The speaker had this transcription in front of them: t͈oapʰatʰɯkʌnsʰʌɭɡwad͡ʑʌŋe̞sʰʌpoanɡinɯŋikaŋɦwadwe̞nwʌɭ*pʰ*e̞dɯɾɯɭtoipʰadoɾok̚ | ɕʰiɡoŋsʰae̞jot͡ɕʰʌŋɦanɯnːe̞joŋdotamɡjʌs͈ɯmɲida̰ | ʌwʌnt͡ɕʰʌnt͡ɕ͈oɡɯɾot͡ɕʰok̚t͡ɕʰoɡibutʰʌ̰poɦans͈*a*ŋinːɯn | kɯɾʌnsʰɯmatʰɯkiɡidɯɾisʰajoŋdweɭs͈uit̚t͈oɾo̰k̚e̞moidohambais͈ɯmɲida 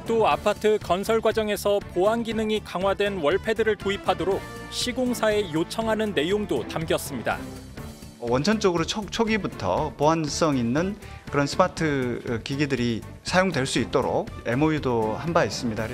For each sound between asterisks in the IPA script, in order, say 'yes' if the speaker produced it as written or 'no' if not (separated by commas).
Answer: yes, no